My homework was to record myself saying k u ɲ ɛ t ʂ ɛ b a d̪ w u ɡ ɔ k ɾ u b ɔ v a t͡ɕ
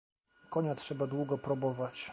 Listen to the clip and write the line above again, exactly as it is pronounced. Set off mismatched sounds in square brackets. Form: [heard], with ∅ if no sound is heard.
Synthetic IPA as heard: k [ɔ] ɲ [a] t ʂ ɛ b a d̪ w u ɡ ɔ [p] ɾ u b ɔ v a t͡ɕ